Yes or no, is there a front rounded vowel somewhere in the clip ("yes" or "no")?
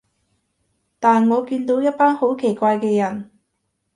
no